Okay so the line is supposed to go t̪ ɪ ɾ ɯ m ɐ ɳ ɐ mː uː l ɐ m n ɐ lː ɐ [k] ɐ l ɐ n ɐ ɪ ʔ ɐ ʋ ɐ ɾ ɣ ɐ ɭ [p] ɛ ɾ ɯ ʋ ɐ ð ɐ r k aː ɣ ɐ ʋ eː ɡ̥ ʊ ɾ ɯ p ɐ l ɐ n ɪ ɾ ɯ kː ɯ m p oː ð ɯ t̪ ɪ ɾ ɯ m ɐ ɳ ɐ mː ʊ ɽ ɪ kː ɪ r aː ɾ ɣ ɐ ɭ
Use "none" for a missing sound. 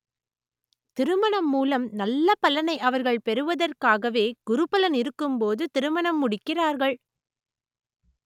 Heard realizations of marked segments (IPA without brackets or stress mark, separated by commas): p, p